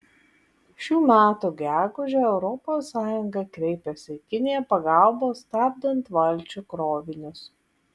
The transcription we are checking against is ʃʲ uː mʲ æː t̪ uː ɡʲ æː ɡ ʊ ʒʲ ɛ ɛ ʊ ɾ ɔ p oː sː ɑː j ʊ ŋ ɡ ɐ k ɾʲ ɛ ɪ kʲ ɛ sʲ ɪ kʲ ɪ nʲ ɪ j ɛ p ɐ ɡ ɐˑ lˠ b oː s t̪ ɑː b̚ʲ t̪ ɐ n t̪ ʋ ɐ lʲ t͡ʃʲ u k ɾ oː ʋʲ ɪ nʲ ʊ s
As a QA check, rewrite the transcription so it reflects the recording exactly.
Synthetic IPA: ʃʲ uː mʲ æː t̪ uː ɡʲ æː ɡ ʊ ʒʲ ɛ ɛ ʊ ɾ ɔ p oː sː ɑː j ʊ ŋ ɡ ɐ k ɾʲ ɛ ɪ pʲ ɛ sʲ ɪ kʲ ɪ nʲ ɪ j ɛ p ɐ ɡ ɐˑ lˠ b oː s t̪ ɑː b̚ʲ d̪ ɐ n t̪ ʋ ɐ lʲ t͡ʃʲ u k ɾ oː ʋʲ ɪ nʲ ʊ s